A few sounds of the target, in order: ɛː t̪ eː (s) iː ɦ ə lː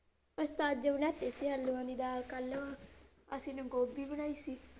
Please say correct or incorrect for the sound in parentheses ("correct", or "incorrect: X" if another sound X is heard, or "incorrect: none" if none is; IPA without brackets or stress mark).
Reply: correct